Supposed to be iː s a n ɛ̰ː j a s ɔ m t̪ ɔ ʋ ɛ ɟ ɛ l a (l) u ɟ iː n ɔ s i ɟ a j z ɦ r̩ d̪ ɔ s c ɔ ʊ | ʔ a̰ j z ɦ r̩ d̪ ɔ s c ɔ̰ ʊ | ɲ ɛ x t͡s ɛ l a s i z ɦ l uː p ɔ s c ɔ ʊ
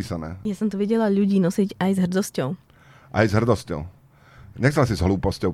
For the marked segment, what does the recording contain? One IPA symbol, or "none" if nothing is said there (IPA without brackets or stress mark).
ʎ